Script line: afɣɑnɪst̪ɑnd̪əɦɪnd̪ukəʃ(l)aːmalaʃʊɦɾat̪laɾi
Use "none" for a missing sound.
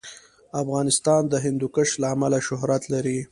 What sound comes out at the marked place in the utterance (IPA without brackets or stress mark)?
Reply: l